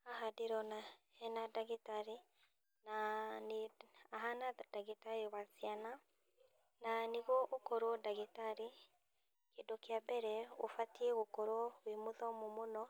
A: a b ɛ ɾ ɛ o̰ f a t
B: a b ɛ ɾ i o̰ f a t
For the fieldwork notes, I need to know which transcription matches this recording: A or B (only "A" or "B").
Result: A